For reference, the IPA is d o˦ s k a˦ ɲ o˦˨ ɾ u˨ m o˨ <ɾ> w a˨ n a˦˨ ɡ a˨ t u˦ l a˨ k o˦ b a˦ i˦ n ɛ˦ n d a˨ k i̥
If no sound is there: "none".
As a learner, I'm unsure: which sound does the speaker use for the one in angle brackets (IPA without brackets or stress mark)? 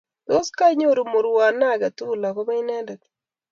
ɾ